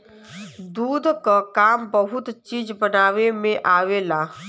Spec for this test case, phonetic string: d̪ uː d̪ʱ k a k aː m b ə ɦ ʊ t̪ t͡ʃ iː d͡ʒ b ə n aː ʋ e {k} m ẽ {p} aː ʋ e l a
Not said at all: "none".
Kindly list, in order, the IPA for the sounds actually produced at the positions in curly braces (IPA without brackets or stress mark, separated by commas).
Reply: none, ʔ